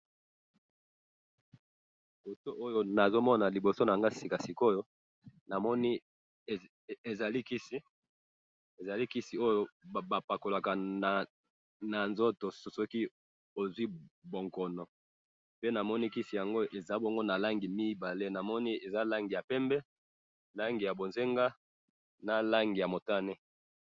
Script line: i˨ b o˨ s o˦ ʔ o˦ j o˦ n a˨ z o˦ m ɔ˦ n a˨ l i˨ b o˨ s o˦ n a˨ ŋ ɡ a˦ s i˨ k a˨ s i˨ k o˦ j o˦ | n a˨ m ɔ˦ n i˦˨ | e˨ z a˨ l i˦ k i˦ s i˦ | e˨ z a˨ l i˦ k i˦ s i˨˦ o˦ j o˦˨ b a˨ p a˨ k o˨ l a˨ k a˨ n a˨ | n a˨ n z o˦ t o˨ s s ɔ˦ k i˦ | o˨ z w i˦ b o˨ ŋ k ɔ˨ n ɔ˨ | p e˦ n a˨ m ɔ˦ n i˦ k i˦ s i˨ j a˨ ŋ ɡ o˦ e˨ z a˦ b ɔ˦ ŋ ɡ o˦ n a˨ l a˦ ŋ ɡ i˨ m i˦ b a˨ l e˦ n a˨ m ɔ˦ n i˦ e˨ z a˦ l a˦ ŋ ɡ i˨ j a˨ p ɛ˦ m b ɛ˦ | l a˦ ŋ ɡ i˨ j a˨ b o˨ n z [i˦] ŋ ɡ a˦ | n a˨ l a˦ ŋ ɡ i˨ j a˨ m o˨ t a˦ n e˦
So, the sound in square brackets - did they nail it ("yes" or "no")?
no